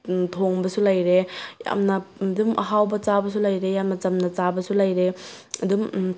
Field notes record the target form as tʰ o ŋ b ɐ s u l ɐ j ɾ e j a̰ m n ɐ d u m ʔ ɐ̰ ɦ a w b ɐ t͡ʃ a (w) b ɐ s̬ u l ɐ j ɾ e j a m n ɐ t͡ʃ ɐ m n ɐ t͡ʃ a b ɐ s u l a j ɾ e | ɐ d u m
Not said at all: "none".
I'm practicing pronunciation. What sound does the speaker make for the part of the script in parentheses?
none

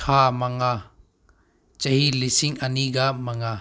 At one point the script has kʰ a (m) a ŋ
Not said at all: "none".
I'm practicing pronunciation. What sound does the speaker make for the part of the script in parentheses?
m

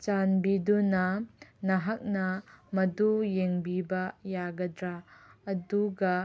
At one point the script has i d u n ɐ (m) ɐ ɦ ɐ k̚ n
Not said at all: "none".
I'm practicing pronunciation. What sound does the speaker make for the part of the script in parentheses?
n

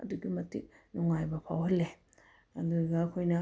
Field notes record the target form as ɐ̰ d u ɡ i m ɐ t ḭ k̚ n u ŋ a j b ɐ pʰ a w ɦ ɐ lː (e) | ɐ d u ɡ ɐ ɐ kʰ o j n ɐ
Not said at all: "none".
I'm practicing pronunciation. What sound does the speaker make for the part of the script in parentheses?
e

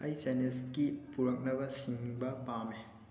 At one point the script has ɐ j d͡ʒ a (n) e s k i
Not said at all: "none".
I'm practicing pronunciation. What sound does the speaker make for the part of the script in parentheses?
n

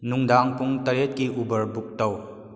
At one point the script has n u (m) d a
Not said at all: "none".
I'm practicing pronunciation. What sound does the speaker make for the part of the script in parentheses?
ŋ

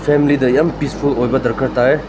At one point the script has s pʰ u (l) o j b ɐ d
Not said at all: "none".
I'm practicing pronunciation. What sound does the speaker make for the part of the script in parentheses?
l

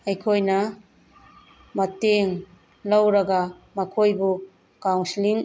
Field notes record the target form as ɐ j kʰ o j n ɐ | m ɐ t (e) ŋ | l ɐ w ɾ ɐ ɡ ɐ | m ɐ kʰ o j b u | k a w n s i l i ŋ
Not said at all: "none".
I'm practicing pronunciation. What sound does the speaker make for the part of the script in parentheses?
e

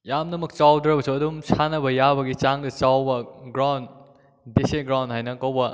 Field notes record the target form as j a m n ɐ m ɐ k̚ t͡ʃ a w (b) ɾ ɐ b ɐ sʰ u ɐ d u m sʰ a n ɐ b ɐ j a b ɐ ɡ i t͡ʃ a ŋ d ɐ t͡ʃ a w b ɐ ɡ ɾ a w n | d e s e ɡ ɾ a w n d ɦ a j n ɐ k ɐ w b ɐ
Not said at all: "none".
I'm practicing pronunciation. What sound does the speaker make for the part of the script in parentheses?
d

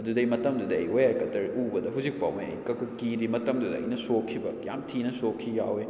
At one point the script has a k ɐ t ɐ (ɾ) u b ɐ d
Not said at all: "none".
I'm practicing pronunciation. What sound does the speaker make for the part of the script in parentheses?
ɾ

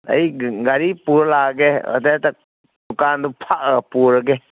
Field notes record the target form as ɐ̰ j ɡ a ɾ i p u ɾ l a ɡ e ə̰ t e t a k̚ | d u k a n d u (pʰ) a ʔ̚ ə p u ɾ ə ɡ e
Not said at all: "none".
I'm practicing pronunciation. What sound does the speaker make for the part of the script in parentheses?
pʰ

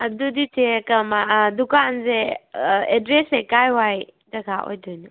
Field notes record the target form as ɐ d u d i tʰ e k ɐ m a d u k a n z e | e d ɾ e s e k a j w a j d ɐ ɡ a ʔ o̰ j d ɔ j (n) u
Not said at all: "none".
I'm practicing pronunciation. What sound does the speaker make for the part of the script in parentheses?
n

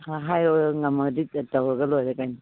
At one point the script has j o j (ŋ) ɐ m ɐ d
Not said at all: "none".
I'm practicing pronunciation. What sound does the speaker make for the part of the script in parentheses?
ŋ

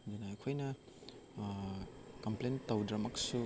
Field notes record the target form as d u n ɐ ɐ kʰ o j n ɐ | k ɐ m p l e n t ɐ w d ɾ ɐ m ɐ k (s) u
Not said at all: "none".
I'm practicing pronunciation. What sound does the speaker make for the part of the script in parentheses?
s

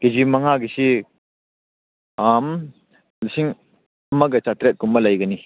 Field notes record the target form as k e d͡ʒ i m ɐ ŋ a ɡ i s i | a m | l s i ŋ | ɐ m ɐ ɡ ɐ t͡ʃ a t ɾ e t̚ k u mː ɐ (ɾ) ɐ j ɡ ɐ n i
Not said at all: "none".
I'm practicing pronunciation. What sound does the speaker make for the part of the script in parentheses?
l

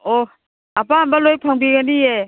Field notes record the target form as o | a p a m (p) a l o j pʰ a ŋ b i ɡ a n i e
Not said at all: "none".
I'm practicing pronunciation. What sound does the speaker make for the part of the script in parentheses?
b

